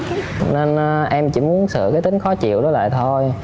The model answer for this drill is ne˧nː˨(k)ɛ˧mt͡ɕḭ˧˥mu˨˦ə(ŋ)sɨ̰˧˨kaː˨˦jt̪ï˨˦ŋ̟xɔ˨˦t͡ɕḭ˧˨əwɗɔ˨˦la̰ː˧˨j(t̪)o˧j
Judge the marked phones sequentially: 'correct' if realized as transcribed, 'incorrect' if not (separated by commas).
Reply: incorrect, incorrect, incorrect